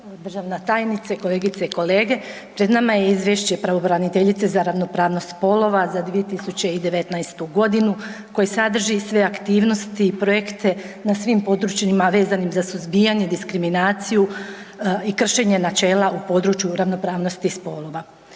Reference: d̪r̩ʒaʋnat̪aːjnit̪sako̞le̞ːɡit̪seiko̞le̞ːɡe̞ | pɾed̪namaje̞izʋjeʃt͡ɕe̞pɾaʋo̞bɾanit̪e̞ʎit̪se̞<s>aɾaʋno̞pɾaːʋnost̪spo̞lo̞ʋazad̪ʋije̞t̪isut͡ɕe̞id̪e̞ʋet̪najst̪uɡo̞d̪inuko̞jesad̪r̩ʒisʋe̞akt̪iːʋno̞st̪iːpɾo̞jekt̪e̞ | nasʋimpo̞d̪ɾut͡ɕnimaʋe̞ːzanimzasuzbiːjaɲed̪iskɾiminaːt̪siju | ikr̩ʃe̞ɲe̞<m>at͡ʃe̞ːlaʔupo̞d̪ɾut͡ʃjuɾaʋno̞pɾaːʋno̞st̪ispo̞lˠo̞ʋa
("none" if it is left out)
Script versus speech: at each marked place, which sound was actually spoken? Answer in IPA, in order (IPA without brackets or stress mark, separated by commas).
z, n